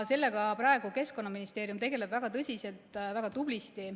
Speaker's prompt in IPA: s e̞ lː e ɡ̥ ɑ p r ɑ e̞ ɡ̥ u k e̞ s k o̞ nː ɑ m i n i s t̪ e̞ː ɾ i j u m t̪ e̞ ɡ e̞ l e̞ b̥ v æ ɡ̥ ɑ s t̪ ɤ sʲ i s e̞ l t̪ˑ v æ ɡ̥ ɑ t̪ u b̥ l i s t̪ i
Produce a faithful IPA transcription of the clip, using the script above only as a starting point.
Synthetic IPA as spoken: s e̞ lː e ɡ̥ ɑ p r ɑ e̞ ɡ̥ u k e̞ s k o̞ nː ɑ m i n i s t̪ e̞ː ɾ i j u m t̪ e̞ ɡ e̞ l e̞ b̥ v æ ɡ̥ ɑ t̪ ɤ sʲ i s e̞ l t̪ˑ v æ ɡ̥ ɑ t̪ u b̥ l i s t̪ i